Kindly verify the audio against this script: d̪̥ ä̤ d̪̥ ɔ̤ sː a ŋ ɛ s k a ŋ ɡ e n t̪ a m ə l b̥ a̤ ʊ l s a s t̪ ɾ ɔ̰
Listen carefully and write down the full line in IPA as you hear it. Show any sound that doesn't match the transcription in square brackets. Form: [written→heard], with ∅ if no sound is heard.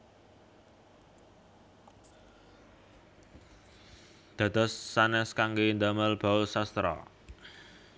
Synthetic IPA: d̪̥ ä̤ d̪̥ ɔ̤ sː a [ŋ→n] ɛ s k a ŋ ɡ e n [t̪→d̪] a m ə l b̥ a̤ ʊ l s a s t̪ ɾ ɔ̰